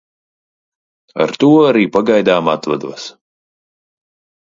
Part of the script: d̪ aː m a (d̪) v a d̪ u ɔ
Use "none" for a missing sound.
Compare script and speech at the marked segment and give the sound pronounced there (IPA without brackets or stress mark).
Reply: t̪